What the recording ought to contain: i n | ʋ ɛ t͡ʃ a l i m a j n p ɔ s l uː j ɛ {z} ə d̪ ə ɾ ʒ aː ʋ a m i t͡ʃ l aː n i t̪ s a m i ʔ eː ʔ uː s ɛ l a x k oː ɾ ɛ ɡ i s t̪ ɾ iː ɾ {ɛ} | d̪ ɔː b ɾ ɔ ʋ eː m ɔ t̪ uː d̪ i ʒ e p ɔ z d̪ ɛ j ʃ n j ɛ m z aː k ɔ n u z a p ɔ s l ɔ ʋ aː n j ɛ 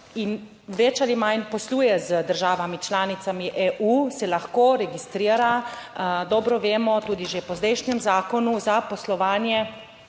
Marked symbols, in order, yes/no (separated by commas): yes, no